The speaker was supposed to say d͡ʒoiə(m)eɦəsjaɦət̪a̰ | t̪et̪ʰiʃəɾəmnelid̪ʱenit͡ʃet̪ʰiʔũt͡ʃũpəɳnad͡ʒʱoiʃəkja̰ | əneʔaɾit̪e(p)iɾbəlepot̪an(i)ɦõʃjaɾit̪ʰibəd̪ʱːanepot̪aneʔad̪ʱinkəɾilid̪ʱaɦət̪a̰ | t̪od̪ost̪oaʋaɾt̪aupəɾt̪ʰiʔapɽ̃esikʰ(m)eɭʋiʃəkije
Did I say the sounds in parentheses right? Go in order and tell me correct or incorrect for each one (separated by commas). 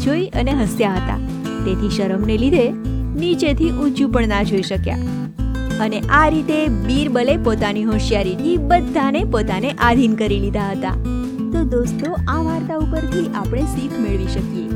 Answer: incorrect, incorrect, correct, correct